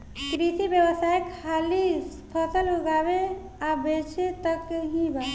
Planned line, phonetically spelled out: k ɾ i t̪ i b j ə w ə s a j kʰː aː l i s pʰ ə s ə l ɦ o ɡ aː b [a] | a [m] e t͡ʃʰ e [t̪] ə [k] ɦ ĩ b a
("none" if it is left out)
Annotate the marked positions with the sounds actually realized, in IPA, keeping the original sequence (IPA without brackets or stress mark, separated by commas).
e, b, t̪, k